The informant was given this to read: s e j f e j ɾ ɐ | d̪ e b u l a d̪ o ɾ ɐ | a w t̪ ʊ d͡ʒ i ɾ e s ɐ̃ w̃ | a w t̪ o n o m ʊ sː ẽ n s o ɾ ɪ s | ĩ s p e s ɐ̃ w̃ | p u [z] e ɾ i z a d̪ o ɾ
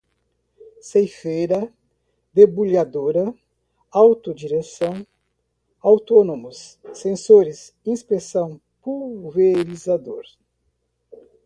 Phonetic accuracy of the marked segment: incorrect: v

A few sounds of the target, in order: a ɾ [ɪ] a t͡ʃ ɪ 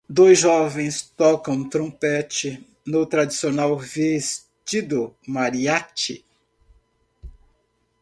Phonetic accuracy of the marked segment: incorrect: i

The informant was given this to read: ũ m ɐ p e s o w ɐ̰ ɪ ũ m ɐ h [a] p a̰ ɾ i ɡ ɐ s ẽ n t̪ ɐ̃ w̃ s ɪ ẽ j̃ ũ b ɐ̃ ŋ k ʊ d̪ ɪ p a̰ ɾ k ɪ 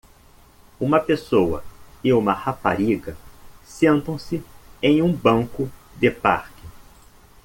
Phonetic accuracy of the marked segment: correct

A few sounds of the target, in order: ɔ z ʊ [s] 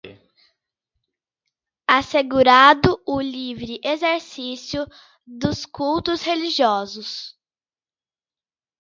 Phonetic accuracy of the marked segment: correct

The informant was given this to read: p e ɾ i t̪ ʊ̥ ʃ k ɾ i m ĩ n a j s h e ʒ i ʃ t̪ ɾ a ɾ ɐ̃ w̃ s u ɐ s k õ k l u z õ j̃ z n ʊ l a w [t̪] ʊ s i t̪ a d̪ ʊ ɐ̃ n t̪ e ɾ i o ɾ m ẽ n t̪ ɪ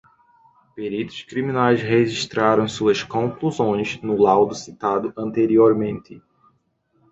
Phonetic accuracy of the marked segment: incorrect: d̪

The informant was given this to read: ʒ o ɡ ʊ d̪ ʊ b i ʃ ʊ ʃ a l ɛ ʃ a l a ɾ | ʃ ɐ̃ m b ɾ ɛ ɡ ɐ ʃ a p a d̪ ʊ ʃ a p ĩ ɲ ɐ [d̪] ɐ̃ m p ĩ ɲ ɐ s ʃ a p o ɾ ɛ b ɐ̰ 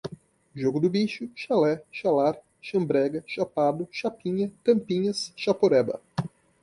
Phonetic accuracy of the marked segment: incorrect: t̪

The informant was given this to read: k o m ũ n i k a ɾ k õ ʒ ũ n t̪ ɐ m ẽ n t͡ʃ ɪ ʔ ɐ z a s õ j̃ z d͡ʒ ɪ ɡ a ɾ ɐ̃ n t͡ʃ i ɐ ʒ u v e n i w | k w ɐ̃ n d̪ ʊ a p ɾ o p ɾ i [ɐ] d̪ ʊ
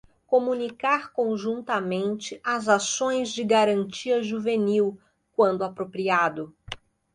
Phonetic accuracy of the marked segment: incorrect: a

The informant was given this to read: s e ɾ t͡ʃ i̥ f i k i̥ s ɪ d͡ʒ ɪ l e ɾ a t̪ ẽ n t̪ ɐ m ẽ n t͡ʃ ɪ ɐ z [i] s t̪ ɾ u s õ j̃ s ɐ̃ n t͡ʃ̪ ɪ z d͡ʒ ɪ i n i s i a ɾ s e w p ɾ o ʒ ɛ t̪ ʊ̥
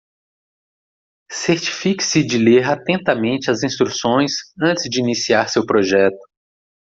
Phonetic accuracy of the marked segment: incorrect: ĩ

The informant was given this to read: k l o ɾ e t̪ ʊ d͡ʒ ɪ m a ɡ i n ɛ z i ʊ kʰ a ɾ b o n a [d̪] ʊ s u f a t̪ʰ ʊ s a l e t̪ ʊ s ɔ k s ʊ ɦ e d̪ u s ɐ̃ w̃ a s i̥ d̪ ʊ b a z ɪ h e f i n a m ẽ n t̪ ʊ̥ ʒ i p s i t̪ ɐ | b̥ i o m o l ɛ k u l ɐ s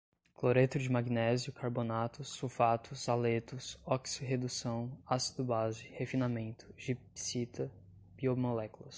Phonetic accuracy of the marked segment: incorrect: t̪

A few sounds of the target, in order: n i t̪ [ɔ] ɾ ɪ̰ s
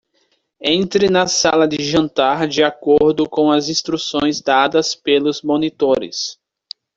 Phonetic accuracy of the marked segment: incorrect: o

